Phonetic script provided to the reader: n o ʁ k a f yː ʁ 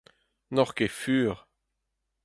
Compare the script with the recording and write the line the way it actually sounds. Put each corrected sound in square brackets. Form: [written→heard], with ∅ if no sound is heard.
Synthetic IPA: n [o→ɔ] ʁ k [a→e] f yː ʁ

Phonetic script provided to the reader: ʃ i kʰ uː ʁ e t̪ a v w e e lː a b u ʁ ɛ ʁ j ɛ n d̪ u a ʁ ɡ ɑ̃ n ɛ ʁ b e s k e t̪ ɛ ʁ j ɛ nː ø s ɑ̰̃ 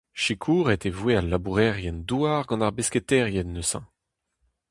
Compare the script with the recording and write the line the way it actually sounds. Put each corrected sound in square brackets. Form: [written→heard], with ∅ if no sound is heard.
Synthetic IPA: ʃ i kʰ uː ʁ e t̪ [a→e] v w e [e→a] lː a b u ʁ ɛ ʁ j ɛ n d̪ u a ʁ ɡ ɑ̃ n [ɛ→a] ʁ b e s k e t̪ ɛ ʁ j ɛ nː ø s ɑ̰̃

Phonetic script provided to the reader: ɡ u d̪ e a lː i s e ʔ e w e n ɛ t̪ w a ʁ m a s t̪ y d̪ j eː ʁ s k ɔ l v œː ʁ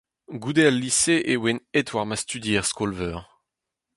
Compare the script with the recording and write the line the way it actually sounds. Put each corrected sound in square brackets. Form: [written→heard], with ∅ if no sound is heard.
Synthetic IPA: ɡ u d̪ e a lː i s e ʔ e w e n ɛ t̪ w a ʁ m a s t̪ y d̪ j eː ʁ s k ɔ l v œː ʁ

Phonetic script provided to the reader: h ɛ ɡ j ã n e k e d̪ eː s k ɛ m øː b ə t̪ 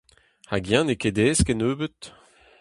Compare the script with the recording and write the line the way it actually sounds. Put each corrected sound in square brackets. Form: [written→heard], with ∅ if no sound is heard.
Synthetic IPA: h [ɛ→a] ɡ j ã n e k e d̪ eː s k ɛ [m→n] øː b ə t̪

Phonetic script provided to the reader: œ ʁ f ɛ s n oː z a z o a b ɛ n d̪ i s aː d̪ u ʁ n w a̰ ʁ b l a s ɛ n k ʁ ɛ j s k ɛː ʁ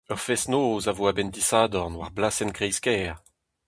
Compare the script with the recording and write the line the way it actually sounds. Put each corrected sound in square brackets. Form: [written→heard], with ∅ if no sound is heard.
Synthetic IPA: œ ʁ f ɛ s n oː z a [z→v] o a b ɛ n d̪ i s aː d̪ [u→ɔ] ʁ n w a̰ ʁ b l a s ɛ n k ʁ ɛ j s k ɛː ʁ

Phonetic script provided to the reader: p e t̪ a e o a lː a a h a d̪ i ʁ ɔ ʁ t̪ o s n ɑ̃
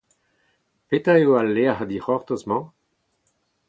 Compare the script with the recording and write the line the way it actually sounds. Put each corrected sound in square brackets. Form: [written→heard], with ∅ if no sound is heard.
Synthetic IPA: p e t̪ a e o a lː [a→e] a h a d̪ i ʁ ɔ ʁ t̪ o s [n→m] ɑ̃

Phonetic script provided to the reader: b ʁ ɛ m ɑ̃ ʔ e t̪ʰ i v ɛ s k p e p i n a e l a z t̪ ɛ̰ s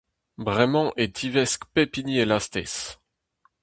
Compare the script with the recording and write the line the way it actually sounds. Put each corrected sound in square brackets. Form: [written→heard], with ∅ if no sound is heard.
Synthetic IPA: b ʁ ɛ m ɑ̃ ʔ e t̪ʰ i v ɛ s k p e p i n [a→i] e l a [z→s] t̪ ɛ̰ s

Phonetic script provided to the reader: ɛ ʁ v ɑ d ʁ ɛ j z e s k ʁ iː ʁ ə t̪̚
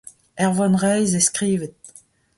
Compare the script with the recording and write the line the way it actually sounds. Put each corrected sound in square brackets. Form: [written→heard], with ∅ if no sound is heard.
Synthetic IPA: ɛ ʁ v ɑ [d→n] ʁ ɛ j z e s k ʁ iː [ʁ→v] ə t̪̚

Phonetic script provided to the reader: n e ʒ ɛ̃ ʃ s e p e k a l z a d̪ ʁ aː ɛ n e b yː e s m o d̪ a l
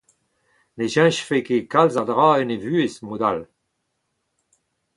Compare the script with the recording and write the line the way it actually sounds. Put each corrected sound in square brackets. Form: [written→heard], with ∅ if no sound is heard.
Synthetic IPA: n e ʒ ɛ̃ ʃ [s→f] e [p→k] e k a l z a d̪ ʁ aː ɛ n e [b→v] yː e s m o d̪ a l

